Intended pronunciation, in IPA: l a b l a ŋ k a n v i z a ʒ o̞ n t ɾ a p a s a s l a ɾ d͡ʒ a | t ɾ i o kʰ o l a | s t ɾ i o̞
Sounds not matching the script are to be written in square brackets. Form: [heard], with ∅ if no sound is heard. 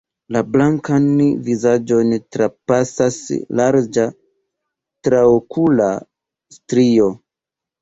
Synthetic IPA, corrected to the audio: l a b l a ŋ k a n v i z a [d͡ʒ] o̞ n t ɾ a p a s a s l a ɾ d͡ʒ a | t ɾ [a] o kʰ [u] l a | s t ɾ i o̞